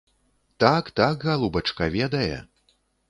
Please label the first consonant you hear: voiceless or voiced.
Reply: voiceless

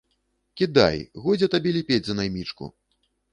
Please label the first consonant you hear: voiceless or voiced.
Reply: voiceless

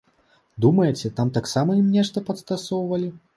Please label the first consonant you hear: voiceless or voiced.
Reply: voiced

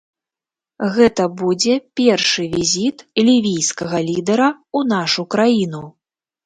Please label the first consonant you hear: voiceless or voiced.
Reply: voiced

